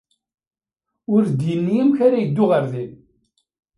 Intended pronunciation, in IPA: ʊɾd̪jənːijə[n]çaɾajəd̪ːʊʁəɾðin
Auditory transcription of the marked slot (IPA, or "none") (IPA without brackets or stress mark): m